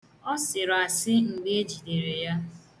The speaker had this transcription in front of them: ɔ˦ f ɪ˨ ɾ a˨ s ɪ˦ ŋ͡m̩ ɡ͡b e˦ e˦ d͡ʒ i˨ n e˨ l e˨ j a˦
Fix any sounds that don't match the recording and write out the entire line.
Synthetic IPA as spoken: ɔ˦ s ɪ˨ ɾ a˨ s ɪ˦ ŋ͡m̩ ɡ͡b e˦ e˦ d͡ʒ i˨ d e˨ ɾ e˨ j a˦